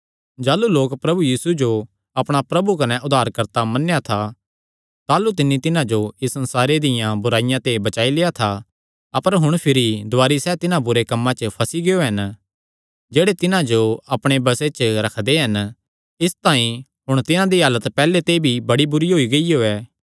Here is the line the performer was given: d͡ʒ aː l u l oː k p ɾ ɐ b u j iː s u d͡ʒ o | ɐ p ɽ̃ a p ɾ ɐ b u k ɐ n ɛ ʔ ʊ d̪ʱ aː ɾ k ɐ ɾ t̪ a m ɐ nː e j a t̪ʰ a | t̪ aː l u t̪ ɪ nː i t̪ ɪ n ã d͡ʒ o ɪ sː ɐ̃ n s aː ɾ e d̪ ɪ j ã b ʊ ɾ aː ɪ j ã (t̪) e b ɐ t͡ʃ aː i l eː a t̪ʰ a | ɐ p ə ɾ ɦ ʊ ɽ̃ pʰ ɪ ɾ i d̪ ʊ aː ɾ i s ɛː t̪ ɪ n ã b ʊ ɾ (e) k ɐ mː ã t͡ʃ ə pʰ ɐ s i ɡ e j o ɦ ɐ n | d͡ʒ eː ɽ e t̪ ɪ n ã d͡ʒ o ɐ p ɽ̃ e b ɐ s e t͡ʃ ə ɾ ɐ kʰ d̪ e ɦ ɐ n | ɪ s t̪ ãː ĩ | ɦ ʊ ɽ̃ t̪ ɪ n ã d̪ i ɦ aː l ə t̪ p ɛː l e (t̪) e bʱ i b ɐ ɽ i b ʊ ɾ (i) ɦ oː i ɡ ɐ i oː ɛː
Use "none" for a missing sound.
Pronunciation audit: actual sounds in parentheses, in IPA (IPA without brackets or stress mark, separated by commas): t̪, e, t̪, i